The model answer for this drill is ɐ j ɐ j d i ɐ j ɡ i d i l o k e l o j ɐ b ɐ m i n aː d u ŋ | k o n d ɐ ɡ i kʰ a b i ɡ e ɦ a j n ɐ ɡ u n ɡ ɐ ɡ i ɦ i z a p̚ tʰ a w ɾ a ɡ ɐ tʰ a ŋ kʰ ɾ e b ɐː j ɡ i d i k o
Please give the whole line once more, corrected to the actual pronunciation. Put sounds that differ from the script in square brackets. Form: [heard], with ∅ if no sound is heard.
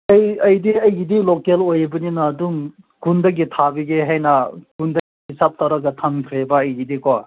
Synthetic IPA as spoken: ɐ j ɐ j d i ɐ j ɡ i d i l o k e l o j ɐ b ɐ [n] i n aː d u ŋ | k [u] n d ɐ ɡ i [tʰ] a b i ɡ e ɦ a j n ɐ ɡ u n [d] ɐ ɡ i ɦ i [s] a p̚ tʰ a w ɾ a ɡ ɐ tʰ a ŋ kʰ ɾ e b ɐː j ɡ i d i k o